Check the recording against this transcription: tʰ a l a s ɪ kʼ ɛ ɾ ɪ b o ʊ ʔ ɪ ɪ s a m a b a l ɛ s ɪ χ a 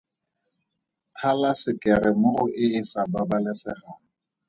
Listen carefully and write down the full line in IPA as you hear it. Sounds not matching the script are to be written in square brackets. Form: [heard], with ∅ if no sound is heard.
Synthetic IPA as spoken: tʰ a l a s ɪ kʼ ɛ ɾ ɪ [m] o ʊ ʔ ɪ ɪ s a [b] a b a l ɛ s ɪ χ a